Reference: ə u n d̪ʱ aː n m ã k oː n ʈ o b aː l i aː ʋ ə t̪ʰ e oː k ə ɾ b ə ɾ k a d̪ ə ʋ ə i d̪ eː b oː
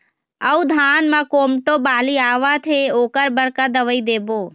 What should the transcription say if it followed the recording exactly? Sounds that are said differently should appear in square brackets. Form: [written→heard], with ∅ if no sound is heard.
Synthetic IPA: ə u [n→∅] d̪ʱ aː n m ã k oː [n→m] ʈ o b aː l i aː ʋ [ə→a] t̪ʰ e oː k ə ɾ b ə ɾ k a d̪ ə ʋ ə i d̪ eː b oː